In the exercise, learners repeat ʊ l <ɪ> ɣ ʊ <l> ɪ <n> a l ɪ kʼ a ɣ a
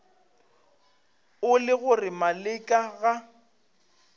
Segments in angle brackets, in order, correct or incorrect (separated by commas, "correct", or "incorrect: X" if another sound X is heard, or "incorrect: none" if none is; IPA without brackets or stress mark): correct, incorrect: r, incorrect: m